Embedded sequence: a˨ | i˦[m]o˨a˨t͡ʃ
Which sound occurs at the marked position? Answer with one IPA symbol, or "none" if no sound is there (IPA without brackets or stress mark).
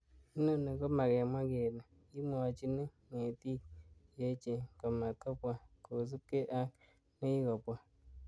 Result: m